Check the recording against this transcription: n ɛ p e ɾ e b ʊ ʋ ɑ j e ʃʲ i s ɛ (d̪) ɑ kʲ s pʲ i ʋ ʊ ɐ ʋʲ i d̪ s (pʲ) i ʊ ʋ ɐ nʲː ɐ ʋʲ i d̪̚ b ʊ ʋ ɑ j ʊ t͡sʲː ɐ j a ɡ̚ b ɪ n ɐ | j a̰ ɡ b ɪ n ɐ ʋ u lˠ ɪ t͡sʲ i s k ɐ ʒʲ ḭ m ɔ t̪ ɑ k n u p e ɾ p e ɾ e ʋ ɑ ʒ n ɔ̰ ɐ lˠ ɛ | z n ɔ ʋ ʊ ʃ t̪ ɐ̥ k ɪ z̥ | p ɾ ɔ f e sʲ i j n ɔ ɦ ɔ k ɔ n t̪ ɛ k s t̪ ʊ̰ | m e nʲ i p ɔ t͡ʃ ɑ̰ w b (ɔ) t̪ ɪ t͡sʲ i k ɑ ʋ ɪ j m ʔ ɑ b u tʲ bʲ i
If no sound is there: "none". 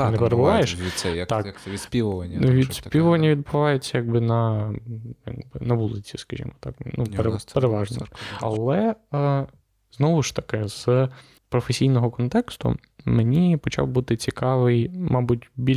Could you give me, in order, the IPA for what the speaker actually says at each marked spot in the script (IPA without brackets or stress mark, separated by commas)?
t̪, pʲ, u